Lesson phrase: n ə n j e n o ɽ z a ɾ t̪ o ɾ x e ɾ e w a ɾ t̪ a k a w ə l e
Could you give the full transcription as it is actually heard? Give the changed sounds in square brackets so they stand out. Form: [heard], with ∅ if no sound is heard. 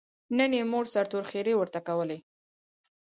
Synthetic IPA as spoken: n ə n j e [m] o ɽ [s] a ɾ t̪ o ɾ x e ɾ e w [ə] ɾ t̪ a k a w ə l e